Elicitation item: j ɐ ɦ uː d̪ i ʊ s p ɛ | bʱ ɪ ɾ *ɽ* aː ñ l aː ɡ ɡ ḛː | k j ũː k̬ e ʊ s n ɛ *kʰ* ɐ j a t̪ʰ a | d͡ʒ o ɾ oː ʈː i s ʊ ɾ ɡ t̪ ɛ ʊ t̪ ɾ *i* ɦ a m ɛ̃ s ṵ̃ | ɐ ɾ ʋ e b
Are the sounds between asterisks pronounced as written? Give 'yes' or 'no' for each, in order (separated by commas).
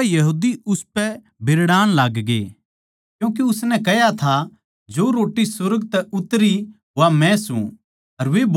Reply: yes, no, yes